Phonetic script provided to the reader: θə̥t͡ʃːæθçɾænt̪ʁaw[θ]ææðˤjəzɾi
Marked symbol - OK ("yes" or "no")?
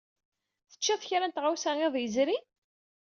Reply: no